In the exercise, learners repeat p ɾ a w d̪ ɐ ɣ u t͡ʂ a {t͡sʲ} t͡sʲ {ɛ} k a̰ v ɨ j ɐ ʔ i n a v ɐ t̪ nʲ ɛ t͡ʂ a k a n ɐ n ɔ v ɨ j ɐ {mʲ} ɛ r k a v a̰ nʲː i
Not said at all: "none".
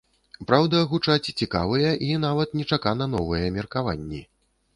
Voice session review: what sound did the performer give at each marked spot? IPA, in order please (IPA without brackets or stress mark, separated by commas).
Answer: t͡sʲ, i, mʲ